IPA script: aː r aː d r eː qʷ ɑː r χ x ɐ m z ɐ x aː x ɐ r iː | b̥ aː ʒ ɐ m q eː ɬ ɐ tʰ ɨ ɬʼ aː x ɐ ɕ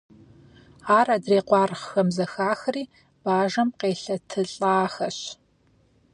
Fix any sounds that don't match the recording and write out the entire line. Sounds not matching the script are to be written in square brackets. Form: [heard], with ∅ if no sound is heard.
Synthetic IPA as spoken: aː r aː d r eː qʷ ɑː r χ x ɐ m z ɐ x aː x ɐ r iː | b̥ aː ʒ ɐ m q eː ɬ ɐ tʰ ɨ ɬʼ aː x ɐ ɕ